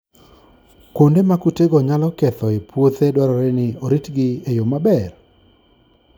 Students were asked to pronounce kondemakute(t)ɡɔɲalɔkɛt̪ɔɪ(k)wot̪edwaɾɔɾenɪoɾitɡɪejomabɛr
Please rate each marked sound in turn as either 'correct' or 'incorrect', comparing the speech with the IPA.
incorrect: none, incorrect: p

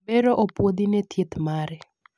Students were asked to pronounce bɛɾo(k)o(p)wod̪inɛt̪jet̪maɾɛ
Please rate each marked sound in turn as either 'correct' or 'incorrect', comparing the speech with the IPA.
incorrect: ʔ, correct

